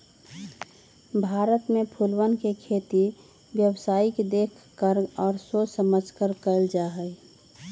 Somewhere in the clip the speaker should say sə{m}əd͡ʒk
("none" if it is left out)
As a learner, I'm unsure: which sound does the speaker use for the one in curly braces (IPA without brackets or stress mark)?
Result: m